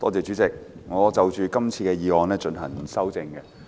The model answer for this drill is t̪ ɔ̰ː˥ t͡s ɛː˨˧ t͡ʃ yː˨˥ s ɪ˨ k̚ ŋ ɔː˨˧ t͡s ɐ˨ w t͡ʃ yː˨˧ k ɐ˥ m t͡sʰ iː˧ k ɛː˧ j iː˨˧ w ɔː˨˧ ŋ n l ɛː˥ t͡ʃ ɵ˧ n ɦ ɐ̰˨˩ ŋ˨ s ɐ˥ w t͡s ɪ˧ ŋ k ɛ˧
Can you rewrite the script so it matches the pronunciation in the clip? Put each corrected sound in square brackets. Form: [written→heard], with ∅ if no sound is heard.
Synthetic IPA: t̪ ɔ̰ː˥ t͡s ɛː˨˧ t͡ʃ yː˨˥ [s→t͡s] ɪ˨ k̚ ŋ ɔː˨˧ t͡s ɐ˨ w t͡ʃ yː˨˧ k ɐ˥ m t͡sʰ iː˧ k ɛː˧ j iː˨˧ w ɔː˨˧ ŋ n l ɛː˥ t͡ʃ ɵ˧ n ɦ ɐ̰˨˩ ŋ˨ s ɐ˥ w t͡s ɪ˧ ŋ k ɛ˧